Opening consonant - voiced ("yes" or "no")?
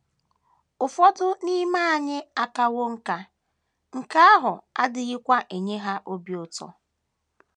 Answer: no